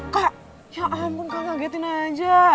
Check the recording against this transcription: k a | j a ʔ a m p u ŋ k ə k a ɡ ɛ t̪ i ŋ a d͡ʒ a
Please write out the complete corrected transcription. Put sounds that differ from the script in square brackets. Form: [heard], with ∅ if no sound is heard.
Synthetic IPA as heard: k a | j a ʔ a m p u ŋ k [a] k a ɡ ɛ t̪ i [n] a d͡ʒ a